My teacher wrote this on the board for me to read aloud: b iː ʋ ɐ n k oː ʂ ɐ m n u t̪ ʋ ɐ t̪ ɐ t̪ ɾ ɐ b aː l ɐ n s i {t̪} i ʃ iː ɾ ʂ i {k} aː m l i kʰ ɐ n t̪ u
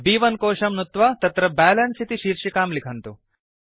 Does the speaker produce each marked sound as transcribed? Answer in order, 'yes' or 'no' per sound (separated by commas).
yes, yes